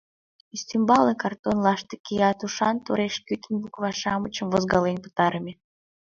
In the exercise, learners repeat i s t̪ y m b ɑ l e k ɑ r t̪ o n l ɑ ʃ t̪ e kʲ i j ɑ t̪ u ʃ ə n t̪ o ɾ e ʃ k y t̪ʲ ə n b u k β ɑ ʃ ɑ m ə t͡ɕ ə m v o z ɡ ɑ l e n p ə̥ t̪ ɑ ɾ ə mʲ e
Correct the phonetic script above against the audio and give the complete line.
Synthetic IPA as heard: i s t̪ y m b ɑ l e k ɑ r t̪ o n l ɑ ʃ t̪ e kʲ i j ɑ t̪ u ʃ ɑ n t̪ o ɾ e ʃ k y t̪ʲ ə n b u k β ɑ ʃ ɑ m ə t͡ɕ ə m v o z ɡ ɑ l e n p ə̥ t̪ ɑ ɾ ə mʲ e

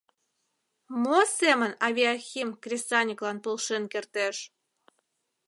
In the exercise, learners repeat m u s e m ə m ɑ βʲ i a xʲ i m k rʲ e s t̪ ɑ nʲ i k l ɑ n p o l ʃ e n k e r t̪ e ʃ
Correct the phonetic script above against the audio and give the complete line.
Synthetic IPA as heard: m o s e m ə n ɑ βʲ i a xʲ i m k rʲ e s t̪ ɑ nʲ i k l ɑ n p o l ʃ e n k e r t̪ e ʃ

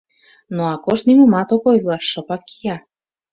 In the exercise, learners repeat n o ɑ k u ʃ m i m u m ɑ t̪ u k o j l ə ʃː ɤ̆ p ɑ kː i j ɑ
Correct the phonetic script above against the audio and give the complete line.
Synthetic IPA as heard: n o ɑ k o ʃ n i m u m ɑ t̪ o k o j l ɑ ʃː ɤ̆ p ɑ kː i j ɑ

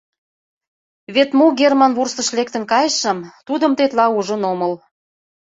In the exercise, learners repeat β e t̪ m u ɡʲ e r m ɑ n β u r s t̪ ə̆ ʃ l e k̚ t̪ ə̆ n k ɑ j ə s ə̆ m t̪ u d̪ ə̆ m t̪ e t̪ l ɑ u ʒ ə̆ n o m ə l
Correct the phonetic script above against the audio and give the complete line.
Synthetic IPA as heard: β e t̪ m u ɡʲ e r m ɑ n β u r s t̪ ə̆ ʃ l e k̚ t̪ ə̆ n k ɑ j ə ʃ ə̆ m t̪ u d̪ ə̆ m t̪ e t̪ l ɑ u ʒ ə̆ n o m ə l

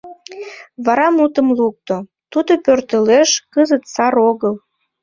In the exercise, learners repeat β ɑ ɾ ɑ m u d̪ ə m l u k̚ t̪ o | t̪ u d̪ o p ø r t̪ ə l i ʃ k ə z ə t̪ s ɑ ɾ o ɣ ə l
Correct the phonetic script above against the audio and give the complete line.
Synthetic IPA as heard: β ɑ ɾ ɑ m u t̪ ə m l u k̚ t̪ o | t̪ u d̪ o p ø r t̪ ə l e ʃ k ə z ə t̪ s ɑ ɾ o ɣ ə l

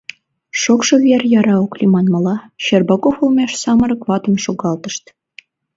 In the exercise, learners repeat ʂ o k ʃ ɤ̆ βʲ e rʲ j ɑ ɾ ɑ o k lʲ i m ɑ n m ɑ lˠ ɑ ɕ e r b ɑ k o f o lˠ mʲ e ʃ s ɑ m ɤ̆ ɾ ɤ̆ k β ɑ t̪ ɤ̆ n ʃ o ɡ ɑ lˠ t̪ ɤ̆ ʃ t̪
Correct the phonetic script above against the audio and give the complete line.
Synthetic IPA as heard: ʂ o k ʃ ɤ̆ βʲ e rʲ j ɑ ɾ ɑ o k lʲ i m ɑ n m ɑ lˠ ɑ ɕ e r b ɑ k o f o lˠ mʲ e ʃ s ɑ m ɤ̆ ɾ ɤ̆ k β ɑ t̪ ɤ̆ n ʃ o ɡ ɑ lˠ t̪ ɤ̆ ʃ t̪

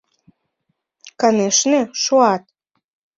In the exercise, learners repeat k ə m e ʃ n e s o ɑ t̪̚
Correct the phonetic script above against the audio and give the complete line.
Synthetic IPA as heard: k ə n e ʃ n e ʃ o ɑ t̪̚

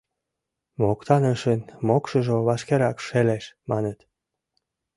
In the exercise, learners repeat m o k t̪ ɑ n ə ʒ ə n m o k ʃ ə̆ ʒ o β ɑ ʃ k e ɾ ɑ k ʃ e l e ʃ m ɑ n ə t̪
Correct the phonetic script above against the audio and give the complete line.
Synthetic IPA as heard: m o k t̪ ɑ n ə ʃ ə n m o k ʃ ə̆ ʒ o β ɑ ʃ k e ɾ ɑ k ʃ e l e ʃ m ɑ n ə t̪

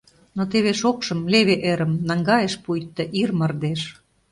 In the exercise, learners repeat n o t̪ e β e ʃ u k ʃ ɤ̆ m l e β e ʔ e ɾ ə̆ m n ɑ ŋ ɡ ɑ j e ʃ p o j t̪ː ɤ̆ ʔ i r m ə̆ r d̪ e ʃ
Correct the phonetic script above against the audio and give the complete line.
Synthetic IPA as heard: n o t̪ e β e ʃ o k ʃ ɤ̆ m l e β e ʔ e ɾ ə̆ m n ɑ ŋ ɡ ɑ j e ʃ p u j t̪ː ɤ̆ ʔ i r m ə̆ r d̪ e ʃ

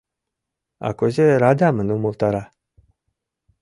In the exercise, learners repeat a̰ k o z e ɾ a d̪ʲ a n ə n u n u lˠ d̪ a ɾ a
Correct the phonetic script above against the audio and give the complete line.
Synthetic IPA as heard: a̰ k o z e ɾ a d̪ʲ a m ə n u m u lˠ t̪ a ɾ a

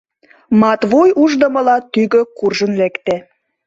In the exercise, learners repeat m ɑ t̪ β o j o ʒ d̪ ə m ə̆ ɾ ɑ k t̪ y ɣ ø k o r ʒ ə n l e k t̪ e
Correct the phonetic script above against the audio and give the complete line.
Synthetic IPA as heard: m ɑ t̪ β o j u ʒ d̪ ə m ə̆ l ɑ t̪ y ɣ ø k u r ʒ ə n l e k t̪ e

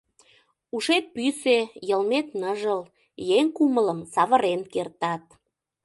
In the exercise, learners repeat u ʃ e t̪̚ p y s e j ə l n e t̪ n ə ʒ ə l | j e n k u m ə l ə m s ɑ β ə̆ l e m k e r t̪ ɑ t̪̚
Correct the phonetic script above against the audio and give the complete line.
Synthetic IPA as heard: u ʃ e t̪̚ p y s e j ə l m e t̪ n ə ʒ ə l | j e ŋ k u m ə l ə m s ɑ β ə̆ ɾ e n k e r t̪ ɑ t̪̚

